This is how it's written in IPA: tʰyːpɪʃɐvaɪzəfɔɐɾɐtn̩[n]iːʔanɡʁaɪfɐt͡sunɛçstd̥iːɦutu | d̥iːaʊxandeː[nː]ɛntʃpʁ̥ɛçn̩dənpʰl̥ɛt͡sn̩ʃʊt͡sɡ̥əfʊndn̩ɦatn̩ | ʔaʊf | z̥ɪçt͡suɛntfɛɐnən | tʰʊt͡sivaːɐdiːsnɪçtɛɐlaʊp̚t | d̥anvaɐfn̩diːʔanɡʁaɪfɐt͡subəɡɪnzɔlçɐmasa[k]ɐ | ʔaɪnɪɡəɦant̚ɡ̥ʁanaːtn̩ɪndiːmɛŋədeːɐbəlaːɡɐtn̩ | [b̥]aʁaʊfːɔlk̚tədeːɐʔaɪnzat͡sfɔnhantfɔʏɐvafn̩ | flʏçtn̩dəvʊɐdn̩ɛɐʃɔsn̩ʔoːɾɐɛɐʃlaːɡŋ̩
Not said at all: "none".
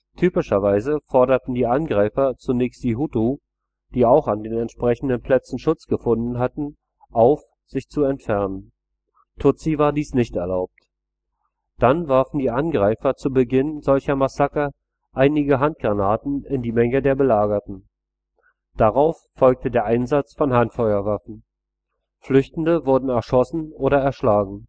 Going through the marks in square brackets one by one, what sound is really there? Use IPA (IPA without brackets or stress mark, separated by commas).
d, n, k, d̥